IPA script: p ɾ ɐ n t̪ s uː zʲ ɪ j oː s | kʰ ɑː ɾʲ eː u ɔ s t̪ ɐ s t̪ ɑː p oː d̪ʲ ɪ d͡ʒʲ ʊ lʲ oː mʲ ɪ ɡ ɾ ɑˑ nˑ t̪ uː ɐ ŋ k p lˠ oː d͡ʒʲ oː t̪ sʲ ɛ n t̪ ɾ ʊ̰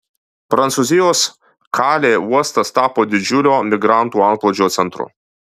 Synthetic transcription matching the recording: p ɾ ɐ n t̪ s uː zʲ ɪ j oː s | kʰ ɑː lʲ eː u ɔ s t̪ ɐ s t̪ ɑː p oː d̪ʲ ɪ d͡ʒʲ ʊ lʲ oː mʲ ɪ ɡ ɾ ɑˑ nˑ t̪ uː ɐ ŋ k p lˠ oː d͡ʒʲ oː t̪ sʲ ɛ n t̪ ɾ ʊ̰